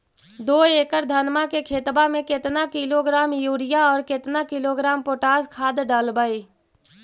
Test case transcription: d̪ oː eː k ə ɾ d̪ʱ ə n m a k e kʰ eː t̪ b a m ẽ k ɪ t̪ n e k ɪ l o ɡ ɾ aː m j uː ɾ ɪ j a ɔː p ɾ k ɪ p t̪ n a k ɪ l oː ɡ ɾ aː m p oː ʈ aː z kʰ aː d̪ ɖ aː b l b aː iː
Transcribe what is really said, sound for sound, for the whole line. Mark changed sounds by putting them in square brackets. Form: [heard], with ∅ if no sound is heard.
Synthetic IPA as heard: d̪ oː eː k ə ɾ d̪ʱ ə n m a k e kʰ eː t̪ b a m ẽ k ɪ t̪ n [a] k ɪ l o ɡ ɾ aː m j uː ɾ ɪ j a ɔː [∅] ɾ k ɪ [∅] t̪ n a k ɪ l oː ɡ ɾ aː m p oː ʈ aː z kʰ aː d̪ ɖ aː [∅] l b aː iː